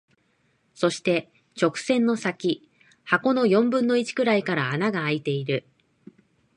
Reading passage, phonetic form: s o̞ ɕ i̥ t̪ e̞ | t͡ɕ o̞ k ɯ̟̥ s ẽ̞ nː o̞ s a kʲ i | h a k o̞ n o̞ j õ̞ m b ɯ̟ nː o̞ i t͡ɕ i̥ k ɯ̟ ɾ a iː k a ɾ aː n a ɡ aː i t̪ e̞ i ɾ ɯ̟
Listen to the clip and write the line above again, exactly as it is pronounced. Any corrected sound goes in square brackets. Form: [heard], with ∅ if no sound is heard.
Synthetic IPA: s o̞ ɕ i̥ t̪ e̞ | t͡ɕ o̞ k ɯ̟̥ s ẽ̞ nː o̞ s a kʲ i | h a k o̞ n o̞ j õ̞ m b [ɯ̟̃] nː o̞ i t͡ɕ i̥ k ɯ̟ ɾ a [i] k a ɾ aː n a ɡ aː i t̪ e̞ i ɾ ɯ̟